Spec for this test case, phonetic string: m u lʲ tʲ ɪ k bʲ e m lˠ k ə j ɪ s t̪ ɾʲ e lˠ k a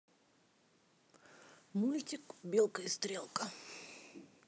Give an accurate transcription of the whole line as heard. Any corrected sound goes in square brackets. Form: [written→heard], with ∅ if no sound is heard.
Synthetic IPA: m u lʲ tʲ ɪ k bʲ e [m→∅] lˠ k ə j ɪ s t̪ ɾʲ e lˠ k [a→ə]